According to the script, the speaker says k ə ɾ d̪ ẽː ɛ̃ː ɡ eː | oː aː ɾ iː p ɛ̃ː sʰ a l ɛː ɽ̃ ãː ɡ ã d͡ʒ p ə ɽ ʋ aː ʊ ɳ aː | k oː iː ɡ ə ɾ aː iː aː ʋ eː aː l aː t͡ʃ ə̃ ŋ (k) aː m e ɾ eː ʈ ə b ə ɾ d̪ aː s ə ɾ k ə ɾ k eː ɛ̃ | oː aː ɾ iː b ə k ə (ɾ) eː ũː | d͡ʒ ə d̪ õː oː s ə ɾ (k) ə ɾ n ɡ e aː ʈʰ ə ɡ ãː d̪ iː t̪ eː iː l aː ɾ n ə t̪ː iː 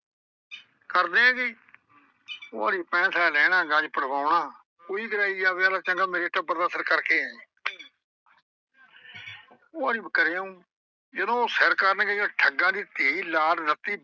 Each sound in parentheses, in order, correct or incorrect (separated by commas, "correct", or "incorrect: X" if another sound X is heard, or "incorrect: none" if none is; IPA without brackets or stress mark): incorrect: ɡ, correct, correct